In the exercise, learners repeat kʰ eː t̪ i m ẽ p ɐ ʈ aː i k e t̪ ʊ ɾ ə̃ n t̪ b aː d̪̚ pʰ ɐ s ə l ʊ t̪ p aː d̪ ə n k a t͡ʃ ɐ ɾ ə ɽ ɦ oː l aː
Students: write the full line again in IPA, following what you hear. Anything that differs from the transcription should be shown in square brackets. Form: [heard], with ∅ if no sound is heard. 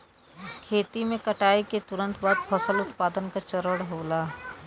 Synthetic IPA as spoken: kʰ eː t̪ i m ẽ [k] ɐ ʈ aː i k e t̪ ʊ ɾ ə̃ n t̪ b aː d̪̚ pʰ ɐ s ə l ʊ t̪ p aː d̪ ə n k a t͡ʃ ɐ ɾ ə ɽ ɦ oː l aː